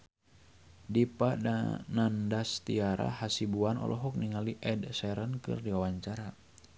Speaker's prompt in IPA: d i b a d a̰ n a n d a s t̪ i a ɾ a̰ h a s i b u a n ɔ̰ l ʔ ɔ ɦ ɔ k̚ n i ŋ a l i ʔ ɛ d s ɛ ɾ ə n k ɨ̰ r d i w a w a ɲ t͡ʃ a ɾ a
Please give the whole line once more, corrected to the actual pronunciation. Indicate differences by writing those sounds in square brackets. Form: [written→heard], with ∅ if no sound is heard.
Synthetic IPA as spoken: d i [b→p] a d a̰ n a n d a s t̪ i a ɾ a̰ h a s i b u a n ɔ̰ l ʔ ɔ ɦ ɔ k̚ n i ŋ a l i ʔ ɛ d s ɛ ɾ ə n k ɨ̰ r d i w a w a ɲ t͡ʃ a ɾ a